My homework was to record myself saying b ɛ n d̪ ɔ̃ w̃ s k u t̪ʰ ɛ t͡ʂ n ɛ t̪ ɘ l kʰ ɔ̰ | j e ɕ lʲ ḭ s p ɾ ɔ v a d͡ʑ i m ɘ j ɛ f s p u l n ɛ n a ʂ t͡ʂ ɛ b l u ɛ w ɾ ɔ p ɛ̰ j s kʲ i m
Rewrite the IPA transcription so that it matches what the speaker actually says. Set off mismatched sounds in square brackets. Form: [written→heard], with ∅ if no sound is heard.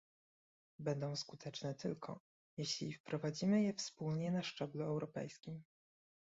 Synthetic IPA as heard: b ɛ n d̪ ɔ̃ w̃ s k u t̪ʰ ɛ t͡ʂ n ɛ t̪ ɘ l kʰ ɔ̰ | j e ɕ lʲ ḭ [s→f] p ɾ ɔ v a d͡ʑ i m ɘ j ɛ f s p u l [n→ɲ] ɛ n a ʂ t͡ʂ ɛ b l u ɛ w ɾ ɔ p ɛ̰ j s kʲ i m